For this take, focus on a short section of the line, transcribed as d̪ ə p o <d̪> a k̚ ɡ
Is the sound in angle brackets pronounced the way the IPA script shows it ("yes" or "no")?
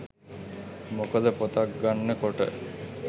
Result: no